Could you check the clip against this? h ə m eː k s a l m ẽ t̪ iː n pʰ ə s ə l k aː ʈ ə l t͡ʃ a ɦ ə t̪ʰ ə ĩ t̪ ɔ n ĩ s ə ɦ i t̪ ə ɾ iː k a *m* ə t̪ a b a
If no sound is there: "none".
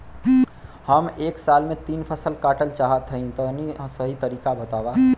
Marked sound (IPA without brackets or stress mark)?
b